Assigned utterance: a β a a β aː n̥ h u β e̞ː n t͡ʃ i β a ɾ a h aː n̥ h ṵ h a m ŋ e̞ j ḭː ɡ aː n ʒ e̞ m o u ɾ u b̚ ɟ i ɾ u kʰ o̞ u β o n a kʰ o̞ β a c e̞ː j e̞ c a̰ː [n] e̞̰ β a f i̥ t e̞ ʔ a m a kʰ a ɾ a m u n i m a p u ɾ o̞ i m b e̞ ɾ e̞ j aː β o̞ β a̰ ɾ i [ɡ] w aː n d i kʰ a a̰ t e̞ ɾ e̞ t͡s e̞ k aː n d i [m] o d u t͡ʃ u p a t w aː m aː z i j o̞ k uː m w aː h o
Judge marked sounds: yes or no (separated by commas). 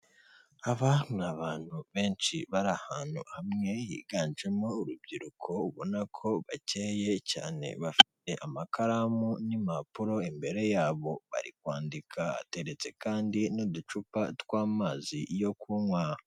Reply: yes, no, no